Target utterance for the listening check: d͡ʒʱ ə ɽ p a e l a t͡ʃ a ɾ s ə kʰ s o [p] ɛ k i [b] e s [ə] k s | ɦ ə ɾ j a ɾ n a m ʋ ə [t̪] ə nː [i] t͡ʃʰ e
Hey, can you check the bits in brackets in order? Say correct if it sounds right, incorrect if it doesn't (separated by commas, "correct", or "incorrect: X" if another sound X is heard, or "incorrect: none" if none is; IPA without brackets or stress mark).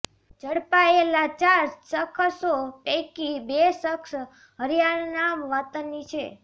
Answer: correct, correct, correct, correct, correct